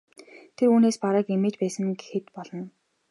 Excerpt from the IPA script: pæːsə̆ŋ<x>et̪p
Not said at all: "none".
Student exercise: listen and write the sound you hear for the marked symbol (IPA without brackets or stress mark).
x